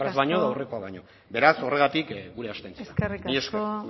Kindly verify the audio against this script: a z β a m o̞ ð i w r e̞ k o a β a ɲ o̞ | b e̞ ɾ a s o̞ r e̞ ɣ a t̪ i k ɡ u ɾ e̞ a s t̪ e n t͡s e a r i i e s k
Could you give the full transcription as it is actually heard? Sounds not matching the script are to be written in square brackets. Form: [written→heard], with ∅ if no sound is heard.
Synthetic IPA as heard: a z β a [m→ɲ] o̞ ð [i→a] w r e̞ k o a β a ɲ o̞ | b e̞ ɾ a s o̞ r e̞ ɣ a t̪ i k ɡ u ɾ e̞ a s t̪ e n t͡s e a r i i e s k

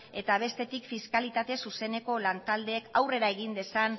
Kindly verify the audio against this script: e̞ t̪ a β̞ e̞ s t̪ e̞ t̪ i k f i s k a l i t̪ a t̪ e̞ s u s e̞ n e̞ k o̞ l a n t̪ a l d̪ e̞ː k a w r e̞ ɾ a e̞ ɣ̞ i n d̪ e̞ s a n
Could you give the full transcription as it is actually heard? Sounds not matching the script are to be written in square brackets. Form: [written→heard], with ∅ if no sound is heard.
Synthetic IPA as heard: e̞ t̪ a β̞ e̞ s t̪ e̞ t̪ i k f i s k a l i t̪ a t̪ e̞ s u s e̞ n e̞ k o̞ l a n t̪ a l d̪ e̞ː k a w r e̞ ɾ a e̞ ɣ̞ i n d̪ e̞ s a n

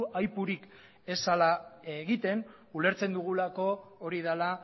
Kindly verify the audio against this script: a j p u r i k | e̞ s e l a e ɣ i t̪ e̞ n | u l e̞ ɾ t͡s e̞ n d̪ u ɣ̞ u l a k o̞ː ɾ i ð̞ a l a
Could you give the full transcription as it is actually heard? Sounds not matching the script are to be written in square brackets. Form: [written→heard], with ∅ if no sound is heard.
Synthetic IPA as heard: a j p u [r→ɾ] i k | e̞ s [e→a] l a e ɣ i t̪ e̞ n | u l e̞ ɾ t͡s e̞ n d̪ u ɣ̞ u l a k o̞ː ɾ i ð̞ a l a

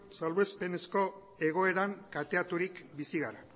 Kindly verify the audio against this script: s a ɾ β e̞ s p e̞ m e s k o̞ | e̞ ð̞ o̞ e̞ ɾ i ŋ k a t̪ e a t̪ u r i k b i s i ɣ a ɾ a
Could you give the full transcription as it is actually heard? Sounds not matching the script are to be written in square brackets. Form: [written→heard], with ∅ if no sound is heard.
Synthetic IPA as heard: s a [ɾ→l] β e̞ s p e̞ [m→n] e s k o̞ | e̞ [ð̞→ɣ̞] o̞ e̞ ɾ [i→a] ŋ k a t̪ e a t̪ u [r→ɾ] i k b i s i ɣ a ɾ a

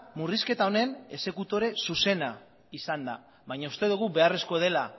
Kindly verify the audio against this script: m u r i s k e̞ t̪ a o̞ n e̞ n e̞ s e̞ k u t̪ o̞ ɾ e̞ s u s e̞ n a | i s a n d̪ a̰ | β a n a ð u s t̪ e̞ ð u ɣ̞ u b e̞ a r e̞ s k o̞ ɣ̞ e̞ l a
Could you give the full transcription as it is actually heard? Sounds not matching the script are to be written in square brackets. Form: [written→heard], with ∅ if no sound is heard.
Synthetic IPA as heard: m u r i s k e̞ t̪ a o̞ n e̞ n e̞ s e̞ k u t̪ o̞ ɾ e̞ s u s e̞ n a | i s a n d̪ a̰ | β a [n→ɲ] a [ð→∅] u s t̪ e̞ ð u ɣ̞ u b e̞ a r e̞ s k o̞ [ɣ̞→ð̞] e̞ l a

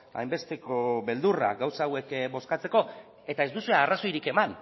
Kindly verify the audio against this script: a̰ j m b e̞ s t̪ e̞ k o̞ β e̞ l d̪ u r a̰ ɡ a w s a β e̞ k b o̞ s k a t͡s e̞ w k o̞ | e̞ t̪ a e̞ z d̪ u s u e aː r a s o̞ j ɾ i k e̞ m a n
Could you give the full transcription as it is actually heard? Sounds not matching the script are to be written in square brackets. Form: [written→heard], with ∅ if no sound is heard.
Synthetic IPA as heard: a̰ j m b e̞ s t̪ e̞ k o̞ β e̞ l d̪ u r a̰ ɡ a w s a [β→w] e̞ k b o̞ s k a t͡s e̞ [w→∅] k o̞ | e̞ t̪ a e̞ z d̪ u s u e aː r a s o̞ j ɾ i k e̞ m a n

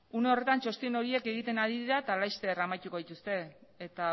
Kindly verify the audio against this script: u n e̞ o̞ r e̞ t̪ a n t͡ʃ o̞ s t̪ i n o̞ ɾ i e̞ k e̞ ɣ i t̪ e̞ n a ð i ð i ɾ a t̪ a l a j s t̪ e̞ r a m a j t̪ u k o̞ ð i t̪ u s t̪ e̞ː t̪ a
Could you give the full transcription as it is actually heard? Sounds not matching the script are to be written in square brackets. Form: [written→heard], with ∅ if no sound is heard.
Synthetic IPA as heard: u n e̞ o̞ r e̞ t̪ a n t͡ʃ o̞ s t̪ i n o̞ ɾ i e̞ k e̞ ɣ i t̪ e̞ n a ð i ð i ɾ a t̪ a l a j s t̪ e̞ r a m a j t̪ u k o̞ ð i t̪ u s t̪ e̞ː t̪ a

